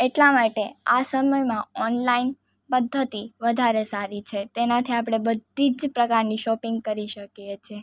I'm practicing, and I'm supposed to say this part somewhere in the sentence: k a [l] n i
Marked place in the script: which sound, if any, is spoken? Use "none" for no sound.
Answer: ɾ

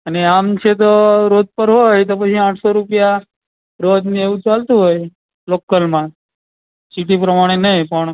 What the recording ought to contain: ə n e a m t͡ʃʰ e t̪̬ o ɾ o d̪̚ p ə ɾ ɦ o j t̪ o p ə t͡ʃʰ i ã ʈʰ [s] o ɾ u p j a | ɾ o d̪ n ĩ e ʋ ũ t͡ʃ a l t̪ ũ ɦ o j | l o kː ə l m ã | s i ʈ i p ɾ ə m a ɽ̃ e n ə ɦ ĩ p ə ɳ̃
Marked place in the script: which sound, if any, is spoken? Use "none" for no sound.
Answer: s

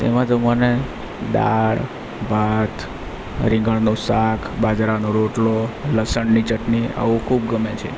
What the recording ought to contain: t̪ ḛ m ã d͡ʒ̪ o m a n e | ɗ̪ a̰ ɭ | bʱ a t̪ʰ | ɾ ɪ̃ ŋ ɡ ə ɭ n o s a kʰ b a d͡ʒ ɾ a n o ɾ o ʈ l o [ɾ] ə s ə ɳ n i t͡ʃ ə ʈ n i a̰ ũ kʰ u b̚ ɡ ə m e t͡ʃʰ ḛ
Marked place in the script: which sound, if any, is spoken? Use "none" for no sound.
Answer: l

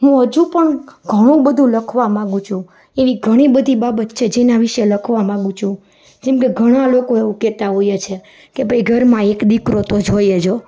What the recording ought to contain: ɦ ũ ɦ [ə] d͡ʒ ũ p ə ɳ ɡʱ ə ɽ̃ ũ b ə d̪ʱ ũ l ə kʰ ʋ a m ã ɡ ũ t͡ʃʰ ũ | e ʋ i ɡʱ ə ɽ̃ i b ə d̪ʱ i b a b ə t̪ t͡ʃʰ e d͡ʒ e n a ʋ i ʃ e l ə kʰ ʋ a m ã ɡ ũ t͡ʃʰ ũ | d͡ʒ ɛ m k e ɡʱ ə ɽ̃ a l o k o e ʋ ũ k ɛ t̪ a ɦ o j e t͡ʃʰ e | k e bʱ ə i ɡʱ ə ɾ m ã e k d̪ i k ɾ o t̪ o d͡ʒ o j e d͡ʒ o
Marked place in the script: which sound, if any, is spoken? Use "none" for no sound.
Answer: ə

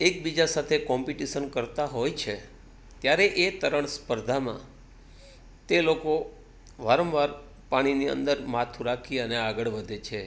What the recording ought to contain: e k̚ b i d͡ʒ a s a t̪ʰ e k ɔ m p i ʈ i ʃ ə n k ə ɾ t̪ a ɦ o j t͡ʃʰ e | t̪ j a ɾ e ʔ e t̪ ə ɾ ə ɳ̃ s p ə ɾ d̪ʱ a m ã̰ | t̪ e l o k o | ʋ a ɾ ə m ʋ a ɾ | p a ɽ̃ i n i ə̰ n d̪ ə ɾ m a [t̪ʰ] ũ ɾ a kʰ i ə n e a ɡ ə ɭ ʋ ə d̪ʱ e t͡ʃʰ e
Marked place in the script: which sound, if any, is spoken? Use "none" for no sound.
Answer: t̪ʰ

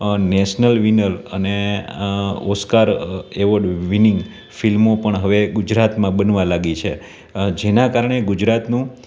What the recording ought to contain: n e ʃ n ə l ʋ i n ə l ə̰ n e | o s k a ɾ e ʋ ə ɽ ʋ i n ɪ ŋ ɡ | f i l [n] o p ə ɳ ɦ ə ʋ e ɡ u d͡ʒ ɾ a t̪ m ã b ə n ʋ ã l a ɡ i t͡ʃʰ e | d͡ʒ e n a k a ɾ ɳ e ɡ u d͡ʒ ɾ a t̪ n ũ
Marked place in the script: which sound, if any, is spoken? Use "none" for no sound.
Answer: m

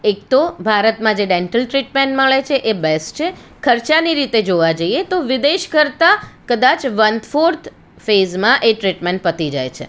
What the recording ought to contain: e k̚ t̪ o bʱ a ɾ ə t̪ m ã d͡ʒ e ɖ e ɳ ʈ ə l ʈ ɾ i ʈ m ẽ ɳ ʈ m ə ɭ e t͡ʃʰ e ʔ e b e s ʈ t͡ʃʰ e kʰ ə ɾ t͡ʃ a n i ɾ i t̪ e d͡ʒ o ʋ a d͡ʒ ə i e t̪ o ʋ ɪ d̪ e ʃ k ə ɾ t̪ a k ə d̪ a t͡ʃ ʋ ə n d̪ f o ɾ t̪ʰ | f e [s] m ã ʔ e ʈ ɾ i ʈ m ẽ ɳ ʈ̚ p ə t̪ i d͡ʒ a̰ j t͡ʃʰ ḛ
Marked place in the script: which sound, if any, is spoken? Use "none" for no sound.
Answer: z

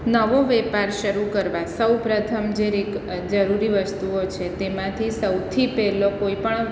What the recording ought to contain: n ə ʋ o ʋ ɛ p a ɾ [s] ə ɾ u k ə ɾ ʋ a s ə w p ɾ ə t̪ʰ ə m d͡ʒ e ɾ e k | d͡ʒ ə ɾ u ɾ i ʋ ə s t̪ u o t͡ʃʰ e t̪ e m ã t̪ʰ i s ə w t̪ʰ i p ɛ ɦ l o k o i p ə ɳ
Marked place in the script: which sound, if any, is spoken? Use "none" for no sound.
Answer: ʃ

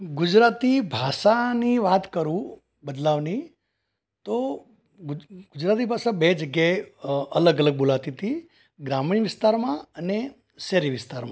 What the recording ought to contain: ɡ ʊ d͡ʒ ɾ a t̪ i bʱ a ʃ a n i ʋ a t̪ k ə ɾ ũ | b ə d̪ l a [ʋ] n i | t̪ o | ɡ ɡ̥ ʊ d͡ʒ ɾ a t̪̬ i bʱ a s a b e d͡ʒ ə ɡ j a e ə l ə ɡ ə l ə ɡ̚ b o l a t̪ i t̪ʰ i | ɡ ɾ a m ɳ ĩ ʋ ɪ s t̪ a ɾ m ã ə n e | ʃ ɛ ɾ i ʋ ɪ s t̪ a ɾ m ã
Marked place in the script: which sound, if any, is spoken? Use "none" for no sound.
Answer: ʋ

